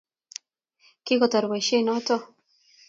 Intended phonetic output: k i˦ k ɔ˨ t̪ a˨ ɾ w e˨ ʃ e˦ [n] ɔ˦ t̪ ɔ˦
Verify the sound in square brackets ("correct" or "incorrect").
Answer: correct